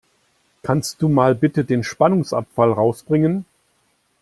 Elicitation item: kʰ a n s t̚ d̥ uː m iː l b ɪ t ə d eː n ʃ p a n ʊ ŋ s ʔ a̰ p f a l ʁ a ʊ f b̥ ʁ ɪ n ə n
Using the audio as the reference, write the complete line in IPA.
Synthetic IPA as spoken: kʰ a n s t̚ d̥ uː m aː l b ɪ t ə d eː n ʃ p a n ʊ ŋ s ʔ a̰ p f a l ʁ a ʊ s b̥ ʁ ɪ ŋ ə n